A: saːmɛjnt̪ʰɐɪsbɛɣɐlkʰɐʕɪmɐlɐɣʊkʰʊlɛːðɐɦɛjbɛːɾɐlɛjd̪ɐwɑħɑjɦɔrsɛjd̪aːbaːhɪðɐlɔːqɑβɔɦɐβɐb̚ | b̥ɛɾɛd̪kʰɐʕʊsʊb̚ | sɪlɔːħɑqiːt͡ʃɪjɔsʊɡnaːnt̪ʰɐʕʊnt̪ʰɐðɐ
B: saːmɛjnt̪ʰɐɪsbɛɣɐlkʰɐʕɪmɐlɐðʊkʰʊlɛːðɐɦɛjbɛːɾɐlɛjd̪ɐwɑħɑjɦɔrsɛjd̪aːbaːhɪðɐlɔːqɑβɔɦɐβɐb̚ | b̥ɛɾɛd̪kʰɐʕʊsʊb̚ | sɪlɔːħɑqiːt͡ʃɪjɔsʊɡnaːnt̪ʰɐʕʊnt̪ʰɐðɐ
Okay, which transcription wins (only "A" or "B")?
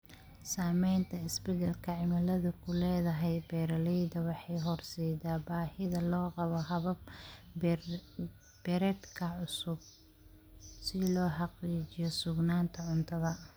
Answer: B